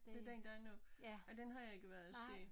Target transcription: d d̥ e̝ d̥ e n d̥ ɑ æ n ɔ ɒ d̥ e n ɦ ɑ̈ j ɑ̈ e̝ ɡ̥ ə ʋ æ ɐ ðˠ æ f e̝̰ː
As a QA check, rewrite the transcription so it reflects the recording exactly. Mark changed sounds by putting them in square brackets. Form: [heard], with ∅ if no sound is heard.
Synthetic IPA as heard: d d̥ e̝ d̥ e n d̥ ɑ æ n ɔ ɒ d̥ e n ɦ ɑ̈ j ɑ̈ e̝ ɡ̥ ə ʋ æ ɐ ðˠ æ [s] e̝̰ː